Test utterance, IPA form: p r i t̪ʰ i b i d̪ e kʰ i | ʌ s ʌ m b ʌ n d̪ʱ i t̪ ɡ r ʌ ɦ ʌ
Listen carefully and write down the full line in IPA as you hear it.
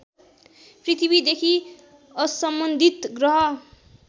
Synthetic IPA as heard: p r i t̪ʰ i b i d̪ e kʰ i | ʌ s ʌ m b ʌ n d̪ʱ i t̪ ɡ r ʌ ɦ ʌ